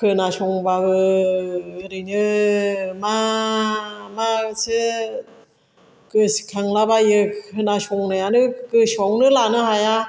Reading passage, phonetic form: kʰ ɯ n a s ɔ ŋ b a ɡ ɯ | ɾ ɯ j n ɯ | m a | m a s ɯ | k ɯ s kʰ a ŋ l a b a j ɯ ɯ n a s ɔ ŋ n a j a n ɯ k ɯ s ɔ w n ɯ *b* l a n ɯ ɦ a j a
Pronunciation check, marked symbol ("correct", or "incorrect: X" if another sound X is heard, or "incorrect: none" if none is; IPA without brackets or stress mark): incorrect: none